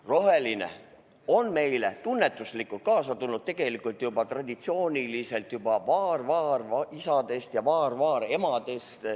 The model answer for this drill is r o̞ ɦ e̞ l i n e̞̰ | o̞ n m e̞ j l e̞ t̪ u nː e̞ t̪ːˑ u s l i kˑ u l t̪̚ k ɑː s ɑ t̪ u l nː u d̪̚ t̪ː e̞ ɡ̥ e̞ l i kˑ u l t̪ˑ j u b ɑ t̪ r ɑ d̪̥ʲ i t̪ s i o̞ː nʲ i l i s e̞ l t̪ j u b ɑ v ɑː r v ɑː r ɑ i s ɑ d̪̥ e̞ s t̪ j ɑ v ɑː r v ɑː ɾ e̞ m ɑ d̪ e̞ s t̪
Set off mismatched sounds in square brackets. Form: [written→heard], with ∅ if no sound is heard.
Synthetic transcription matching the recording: r o̞ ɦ e̞ l i n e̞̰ | o̞ n m e̞ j l e̞ t̪ u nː e̞ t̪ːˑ u s l i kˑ u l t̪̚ k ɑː s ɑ t̪ u l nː u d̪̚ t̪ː e̞ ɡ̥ e̞ l i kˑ u l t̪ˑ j u b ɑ t̪ r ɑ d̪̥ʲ i t̪ s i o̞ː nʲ i l i s e̞ l t̪ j u b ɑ v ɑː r v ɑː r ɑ i s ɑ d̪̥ e̞ s t̪ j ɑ v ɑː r v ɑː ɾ e̞ m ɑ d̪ e̞ s t̪